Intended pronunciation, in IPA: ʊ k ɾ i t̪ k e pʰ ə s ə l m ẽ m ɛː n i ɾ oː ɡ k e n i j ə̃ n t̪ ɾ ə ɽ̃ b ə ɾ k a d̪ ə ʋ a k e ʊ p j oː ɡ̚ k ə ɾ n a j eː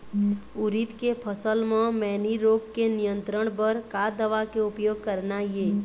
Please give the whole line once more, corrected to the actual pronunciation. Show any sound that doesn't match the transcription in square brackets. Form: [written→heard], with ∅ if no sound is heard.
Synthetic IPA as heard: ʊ [k→∅] ɾ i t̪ k e pʰ ə s ə l m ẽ m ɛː n i ɾ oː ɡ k e n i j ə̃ n t̪ ɾ ə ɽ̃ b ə ɾ k a d̪ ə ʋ a k e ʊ p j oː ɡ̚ k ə ɾ n a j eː